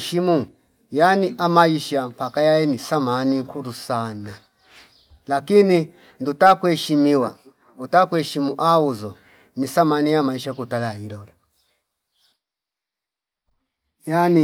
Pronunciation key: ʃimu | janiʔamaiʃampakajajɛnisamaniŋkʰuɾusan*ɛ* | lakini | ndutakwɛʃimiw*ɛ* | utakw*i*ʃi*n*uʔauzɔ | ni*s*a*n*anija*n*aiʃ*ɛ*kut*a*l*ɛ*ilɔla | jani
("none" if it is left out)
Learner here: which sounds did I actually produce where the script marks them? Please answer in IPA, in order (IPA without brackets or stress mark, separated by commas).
a, a, ɛ, m, s, m, m, a, a, a